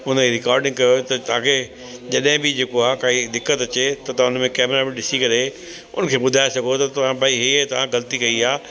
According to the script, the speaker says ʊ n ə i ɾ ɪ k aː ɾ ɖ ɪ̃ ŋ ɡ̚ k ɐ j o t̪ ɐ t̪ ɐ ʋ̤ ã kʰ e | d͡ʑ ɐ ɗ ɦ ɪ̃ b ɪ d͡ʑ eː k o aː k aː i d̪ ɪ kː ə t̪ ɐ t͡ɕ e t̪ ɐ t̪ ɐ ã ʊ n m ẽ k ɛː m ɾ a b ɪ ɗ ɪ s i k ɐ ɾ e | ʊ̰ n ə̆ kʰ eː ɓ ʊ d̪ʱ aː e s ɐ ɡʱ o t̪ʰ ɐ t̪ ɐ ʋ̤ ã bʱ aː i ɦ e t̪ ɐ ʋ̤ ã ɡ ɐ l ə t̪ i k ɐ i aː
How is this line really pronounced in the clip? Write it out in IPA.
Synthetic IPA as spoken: ʊ n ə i ɾ ɪ k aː ɾ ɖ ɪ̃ ŋ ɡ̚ k ɐ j o t̪ ɐ t̪ ɐ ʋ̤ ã kʰ e | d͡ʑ ɐ ɗ ɦ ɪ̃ b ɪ d͡ʑ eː k o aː k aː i d̪ ɪ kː ə t̪ ɐ t͡ɕ e t̪ ɐ t̪ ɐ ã ʊ n m ẽ k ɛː m ɾ a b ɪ ɗ ɪ s i k ɐ ɾ e | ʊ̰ n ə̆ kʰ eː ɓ ʊ d̪ʱ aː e s ɐ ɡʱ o t̪ ɐ t̪ ɐ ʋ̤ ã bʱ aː i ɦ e t̪ ɐ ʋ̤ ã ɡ ɐ l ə t̪ i k ɐ i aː